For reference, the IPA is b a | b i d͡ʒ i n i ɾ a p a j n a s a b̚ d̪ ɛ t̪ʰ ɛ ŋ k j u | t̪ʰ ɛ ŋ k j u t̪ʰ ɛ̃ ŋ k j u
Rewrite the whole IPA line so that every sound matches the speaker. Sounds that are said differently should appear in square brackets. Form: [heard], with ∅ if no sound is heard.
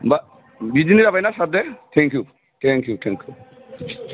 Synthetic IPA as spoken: b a | b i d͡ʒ i n i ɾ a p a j n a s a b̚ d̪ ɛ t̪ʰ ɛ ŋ k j u | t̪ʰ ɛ ŋ k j u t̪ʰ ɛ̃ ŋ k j u